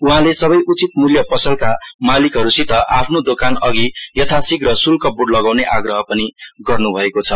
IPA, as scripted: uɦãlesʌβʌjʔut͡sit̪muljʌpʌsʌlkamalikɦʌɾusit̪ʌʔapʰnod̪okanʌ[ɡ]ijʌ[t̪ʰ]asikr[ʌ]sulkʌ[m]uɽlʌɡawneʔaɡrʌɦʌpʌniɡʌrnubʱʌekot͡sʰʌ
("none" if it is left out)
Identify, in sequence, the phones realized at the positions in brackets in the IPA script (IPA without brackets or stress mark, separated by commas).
ɡ, t̪ʰ, ʌ, b